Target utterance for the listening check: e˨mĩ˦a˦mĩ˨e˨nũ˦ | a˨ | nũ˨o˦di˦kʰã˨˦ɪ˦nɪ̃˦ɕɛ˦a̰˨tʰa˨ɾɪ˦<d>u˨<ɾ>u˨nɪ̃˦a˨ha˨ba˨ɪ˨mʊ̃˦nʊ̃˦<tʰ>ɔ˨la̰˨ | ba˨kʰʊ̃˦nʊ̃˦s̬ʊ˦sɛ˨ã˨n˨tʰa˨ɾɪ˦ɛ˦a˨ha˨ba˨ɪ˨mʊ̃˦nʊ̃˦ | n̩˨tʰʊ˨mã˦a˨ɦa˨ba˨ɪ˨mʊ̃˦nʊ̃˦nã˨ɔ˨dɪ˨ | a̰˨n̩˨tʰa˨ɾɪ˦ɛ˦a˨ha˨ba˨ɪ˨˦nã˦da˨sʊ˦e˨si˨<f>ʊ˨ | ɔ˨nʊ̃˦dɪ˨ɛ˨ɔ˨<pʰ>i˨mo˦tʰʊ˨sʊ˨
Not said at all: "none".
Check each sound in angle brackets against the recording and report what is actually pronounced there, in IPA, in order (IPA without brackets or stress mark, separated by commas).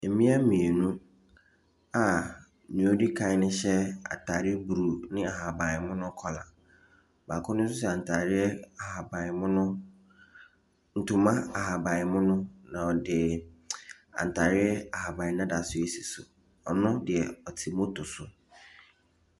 b, ɾ, kʰ, s, tʰ